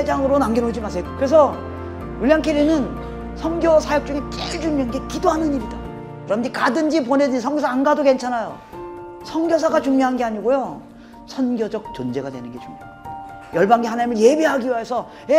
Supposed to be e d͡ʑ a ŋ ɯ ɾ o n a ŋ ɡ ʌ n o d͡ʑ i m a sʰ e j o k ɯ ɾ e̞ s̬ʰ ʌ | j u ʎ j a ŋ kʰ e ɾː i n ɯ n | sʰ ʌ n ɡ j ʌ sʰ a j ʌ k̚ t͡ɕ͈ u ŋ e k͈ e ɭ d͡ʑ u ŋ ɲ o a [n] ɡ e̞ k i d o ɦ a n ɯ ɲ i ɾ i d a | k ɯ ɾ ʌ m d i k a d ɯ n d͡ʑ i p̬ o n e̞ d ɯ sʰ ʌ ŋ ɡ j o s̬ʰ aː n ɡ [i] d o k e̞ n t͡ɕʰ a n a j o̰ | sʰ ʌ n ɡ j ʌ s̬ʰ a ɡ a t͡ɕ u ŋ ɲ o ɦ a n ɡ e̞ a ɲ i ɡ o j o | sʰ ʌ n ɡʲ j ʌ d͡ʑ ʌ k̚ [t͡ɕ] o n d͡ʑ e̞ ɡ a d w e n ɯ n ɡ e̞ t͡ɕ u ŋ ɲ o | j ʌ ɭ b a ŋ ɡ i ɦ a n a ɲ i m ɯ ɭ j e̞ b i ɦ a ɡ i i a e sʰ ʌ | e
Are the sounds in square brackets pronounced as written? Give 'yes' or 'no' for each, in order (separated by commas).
yes, no, yes